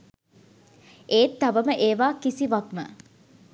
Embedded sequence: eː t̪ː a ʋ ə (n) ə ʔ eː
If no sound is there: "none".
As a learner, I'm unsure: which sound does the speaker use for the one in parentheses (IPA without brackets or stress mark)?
m